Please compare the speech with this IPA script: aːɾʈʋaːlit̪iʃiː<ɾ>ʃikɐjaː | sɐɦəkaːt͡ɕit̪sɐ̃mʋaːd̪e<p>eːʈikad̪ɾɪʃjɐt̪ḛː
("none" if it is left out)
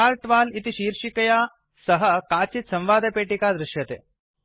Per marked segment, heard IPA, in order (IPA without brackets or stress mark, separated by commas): ɾ, p